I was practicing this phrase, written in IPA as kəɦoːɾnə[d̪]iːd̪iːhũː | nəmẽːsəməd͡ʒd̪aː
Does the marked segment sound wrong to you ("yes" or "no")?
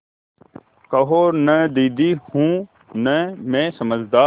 no